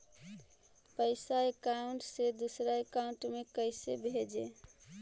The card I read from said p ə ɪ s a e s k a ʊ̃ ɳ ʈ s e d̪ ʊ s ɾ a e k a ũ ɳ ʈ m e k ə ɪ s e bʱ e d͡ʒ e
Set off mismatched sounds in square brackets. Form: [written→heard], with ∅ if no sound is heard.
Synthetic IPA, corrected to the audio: p ə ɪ s a e [s→∅] k a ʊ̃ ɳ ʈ s e d̪ [ʊ→u] s ɾ a e k a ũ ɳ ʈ m e k ə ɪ s e bʱ e d͡ʒ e